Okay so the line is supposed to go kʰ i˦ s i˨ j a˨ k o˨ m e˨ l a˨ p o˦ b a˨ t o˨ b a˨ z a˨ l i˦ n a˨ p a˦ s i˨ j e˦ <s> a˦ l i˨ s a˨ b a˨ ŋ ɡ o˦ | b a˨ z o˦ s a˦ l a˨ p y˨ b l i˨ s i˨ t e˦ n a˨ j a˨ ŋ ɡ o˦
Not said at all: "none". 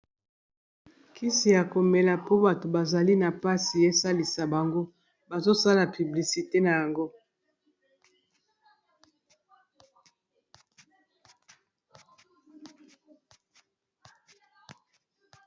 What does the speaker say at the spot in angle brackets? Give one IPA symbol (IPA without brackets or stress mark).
s